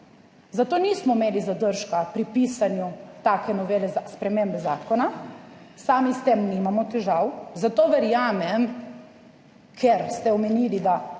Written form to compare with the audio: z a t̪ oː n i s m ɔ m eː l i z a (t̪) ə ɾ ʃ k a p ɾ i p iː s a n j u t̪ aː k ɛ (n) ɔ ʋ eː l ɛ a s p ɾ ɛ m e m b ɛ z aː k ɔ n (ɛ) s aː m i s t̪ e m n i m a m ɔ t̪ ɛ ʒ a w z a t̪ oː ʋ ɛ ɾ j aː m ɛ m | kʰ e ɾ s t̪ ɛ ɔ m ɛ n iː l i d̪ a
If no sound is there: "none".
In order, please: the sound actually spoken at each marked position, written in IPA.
d̪, n, a

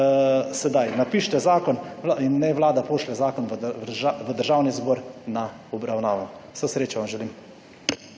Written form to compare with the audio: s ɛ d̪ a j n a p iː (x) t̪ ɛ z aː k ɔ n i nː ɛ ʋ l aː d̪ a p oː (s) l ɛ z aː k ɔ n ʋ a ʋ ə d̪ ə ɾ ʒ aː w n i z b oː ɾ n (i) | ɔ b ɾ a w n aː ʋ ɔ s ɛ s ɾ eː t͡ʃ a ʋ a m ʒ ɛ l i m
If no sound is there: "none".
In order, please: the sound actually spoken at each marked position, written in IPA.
ʃ, ʃ, a

